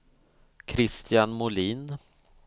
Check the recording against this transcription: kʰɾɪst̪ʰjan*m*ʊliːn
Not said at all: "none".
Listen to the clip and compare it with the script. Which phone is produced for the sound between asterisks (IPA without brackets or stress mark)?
m